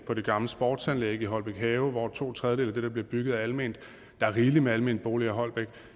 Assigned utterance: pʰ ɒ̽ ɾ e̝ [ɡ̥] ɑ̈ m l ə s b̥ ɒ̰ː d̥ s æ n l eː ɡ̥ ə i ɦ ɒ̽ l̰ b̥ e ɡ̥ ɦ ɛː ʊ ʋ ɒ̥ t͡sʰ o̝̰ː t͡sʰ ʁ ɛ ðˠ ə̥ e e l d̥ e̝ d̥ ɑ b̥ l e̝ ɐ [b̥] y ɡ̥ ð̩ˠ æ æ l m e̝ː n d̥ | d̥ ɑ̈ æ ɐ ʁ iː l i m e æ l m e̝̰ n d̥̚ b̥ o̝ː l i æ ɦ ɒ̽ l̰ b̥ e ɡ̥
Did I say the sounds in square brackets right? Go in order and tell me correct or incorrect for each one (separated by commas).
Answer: correct, correct